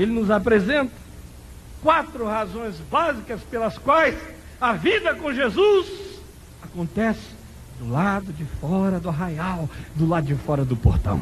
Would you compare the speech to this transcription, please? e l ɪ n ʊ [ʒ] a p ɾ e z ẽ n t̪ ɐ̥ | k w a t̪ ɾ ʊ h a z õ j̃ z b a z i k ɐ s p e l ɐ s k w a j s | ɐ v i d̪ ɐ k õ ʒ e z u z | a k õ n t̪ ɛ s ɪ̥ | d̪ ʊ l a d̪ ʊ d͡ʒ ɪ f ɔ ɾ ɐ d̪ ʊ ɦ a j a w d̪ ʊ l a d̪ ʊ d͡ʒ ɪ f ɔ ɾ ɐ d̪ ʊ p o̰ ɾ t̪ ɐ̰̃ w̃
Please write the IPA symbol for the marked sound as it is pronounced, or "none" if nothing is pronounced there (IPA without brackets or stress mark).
z